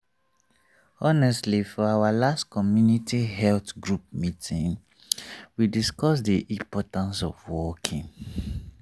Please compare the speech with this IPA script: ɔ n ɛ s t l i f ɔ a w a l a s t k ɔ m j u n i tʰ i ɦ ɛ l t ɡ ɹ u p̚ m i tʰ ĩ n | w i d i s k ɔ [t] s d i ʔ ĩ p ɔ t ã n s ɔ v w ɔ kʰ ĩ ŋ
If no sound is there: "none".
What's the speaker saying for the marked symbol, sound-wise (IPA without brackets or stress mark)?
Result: none